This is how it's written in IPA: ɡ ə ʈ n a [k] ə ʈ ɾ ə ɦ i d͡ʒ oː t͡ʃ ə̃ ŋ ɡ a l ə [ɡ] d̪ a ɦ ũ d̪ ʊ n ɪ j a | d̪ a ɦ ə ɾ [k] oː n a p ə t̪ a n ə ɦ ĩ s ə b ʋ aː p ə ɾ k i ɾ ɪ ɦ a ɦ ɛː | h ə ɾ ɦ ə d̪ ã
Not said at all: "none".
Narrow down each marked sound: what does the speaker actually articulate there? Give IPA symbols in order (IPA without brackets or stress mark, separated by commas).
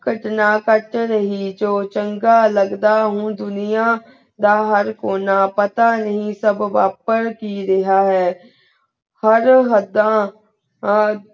k, ɡ, k